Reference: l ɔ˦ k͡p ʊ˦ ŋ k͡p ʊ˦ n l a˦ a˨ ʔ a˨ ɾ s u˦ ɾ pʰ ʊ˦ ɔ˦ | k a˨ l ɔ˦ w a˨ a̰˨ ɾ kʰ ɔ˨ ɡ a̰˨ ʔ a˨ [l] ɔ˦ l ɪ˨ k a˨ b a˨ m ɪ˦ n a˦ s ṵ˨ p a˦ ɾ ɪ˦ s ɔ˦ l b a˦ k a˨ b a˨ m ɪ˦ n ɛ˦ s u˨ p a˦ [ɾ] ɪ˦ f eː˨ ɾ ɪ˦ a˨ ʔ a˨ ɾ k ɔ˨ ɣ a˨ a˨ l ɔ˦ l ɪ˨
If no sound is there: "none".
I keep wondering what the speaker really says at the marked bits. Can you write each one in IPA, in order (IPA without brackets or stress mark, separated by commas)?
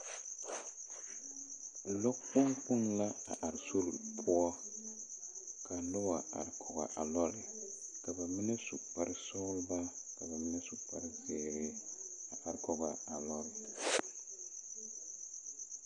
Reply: l, ɾ